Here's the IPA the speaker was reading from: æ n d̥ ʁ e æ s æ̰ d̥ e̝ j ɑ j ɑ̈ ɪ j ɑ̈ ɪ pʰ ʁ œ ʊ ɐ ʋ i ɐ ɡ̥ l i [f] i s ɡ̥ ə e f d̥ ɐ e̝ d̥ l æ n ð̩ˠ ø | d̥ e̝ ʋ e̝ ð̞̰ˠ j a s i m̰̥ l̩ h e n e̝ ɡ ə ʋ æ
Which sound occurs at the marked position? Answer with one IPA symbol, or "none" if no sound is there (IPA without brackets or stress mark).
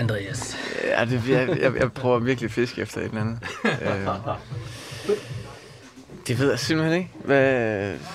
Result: f